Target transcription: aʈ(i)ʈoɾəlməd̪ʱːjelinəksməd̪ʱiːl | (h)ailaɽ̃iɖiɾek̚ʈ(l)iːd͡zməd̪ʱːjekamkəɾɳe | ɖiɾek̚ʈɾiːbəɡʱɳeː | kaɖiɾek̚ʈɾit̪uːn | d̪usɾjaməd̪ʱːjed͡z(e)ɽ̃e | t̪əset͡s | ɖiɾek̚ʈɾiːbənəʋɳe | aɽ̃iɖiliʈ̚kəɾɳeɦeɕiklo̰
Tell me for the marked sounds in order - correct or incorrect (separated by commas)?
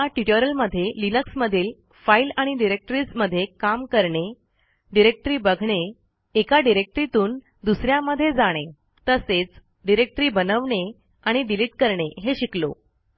correct, incorrect, incorrect, incorrect